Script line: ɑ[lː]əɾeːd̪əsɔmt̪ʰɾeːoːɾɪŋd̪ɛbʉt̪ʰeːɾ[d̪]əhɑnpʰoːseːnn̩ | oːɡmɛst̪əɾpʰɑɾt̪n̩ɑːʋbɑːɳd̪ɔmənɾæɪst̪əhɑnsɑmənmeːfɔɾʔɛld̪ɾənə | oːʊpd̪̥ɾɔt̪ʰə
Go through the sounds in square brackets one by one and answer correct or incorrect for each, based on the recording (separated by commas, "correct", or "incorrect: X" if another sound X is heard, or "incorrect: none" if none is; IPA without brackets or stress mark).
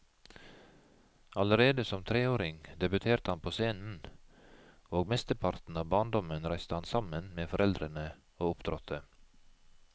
incorrect: l, incorrect: t̪